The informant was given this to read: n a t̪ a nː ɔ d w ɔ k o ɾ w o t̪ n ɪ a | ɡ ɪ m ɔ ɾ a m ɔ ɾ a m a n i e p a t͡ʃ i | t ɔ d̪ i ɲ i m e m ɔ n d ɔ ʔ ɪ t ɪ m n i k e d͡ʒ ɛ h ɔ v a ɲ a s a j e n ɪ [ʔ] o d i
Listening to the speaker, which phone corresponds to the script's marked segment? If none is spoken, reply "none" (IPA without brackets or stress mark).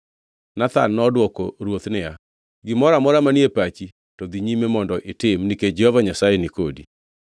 k